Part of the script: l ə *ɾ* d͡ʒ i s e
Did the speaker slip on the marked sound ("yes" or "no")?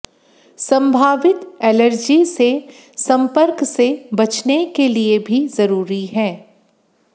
no